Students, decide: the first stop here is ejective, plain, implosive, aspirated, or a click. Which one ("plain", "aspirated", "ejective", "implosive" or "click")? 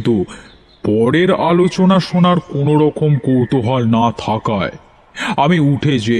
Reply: plain